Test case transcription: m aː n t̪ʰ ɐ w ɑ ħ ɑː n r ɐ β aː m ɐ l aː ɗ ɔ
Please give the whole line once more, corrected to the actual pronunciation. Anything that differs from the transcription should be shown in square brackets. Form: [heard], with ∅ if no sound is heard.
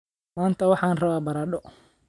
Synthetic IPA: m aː n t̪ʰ ɐ w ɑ ħ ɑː n r ɐ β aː [b] ɐ [ɾ] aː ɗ ɔ

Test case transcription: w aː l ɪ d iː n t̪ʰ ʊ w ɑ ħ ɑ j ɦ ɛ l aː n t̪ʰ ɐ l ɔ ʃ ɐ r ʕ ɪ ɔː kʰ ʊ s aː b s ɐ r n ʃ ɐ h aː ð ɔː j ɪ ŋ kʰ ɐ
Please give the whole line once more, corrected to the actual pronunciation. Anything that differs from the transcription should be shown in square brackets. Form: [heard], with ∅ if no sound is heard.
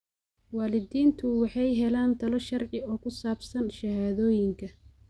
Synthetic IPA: w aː l ɪ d iː n t̪ʰ ʊ w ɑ ħ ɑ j ɦ ɛ l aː n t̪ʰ ɐ l ɔ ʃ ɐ r ʕ ɪ ɔː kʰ ʊ s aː b s ɐ [∅] n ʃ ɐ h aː ð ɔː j ɪ ŋ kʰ ɐ

